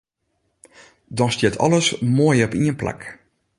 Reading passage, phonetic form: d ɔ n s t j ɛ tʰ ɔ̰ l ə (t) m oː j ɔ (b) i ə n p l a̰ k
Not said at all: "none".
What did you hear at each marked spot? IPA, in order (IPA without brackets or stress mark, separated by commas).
s, p